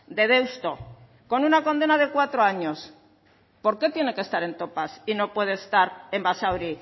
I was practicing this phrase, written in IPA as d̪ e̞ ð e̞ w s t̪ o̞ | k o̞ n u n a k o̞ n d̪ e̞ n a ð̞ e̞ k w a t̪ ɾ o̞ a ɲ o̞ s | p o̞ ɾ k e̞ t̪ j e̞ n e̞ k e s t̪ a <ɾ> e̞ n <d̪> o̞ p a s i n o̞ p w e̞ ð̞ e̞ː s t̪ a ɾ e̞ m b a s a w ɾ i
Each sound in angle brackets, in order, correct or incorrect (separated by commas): correct, incorrect